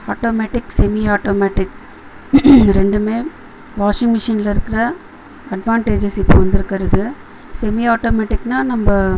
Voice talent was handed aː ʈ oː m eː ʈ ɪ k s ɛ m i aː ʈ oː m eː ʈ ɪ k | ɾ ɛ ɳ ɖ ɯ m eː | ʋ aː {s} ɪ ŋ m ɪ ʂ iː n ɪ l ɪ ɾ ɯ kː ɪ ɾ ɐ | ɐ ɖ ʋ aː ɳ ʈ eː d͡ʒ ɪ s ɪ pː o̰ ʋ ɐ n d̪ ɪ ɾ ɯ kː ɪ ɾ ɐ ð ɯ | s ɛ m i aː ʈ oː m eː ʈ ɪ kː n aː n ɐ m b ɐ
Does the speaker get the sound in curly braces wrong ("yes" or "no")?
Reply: yes